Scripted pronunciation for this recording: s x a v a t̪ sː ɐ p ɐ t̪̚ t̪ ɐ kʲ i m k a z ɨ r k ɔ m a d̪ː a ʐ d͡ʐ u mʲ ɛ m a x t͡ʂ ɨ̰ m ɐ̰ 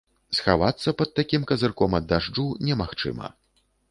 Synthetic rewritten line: s x a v a t̪ sː ɐ p ɐ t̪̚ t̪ a kʲ i m k ɐ z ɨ r k ɔ m ɐ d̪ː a ʐ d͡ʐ u nʲ ɛ m a x t͡ʂ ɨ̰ m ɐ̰